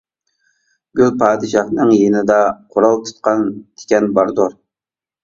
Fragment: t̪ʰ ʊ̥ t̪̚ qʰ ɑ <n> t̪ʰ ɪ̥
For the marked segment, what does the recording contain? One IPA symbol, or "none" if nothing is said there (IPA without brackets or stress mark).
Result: n